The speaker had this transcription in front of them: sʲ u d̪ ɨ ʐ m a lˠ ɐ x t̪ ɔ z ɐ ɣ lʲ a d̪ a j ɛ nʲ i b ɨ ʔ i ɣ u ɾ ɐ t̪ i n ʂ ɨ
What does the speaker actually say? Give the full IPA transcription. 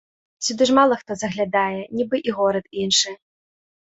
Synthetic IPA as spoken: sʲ u d̪ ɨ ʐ m a lˠ ɐ x t̪ ɔ z ɐ ɣ lʲ a d̪ a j ɛ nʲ i b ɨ ʔ i ɣ ɔ ɾ ɐ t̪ i n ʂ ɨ